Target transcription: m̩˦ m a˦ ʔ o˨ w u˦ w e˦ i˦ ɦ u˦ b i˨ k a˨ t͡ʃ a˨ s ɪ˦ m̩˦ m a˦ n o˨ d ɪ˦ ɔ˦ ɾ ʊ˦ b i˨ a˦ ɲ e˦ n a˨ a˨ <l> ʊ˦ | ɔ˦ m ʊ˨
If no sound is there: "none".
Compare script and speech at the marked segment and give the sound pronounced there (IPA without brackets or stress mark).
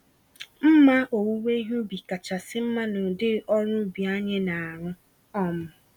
ɾ